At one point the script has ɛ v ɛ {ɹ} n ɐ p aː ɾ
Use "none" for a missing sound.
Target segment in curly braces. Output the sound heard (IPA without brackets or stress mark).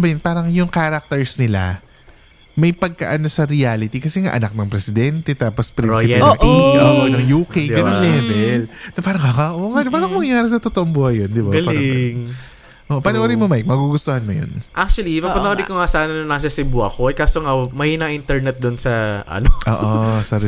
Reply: l